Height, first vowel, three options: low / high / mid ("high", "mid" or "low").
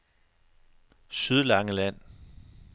high